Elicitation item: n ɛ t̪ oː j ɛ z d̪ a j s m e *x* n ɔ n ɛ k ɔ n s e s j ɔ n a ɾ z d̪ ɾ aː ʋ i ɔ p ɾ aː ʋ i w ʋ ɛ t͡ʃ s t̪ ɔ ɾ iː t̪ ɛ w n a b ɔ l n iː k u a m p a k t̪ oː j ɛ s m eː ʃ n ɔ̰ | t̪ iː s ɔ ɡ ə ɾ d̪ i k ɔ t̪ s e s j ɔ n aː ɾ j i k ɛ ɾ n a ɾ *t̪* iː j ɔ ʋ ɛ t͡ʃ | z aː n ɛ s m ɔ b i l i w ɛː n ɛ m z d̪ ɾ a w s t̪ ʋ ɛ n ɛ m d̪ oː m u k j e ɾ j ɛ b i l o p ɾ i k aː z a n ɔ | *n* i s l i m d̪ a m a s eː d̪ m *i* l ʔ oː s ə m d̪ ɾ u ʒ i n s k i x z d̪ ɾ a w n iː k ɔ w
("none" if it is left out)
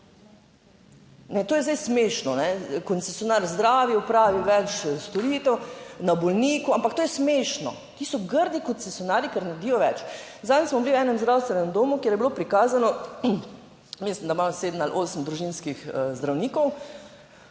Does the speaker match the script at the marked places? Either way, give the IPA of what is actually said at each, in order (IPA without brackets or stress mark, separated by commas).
ʃ, d̪, m, a